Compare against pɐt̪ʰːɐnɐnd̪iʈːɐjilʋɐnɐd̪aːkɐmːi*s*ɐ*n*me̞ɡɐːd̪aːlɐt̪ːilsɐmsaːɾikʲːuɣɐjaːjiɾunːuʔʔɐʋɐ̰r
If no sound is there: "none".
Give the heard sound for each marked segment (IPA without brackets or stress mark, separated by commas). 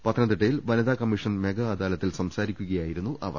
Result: ʂ, n